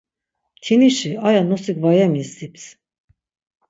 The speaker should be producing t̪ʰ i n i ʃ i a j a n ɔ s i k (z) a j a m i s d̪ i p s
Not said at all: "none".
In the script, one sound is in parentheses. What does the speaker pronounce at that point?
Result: v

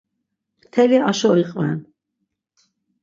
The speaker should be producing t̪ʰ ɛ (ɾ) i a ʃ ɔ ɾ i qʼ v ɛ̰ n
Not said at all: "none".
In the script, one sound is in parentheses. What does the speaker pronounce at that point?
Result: l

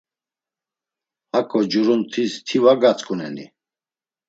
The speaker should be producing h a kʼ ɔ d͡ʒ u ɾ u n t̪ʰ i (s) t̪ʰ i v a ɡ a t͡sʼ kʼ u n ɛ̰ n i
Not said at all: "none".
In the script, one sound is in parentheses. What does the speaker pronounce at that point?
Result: s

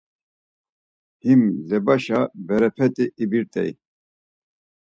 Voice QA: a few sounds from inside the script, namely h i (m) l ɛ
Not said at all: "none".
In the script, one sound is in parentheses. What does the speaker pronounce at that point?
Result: m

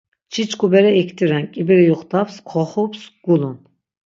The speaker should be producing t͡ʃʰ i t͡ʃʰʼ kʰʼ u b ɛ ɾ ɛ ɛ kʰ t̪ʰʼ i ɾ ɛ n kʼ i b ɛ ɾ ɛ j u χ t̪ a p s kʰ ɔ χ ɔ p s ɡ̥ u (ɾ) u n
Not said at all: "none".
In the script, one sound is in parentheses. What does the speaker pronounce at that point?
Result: l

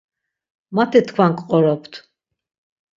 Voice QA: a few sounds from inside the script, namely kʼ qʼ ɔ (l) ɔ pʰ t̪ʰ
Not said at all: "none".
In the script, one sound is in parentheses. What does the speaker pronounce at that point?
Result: ɾ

